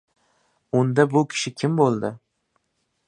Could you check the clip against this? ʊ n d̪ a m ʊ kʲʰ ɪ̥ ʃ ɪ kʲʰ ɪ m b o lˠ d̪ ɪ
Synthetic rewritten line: ʊ n d̪ a b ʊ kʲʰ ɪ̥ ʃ ɪ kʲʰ ɪ m b o lˠ d̪ ɪ